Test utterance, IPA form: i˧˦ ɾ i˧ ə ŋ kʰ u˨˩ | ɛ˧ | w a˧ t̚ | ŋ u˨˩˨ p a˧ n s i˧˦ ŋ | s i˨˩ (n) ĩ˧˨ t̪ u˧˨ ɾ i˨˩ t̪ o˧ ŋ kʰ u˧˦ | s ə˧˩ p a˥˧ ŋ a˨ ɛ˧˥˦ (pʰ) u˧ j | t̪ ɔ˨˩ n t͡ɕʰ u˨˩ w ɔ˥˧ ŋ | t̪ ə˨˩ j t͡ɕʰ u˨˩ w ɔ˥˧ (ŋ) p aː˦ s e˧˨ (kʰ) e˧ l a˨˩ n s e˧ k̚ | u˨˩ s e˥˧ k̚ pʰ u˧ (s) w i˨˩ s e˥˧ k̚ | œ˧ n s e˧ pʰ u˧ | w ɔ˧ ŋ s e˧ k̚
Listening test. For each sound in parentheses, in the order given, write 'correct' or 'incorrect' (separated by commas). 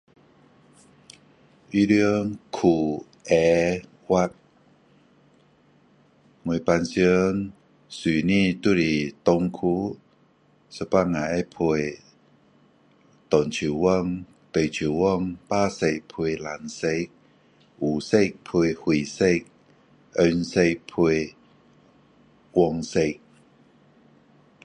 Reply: correct, correct, correct, incorrect, incorrect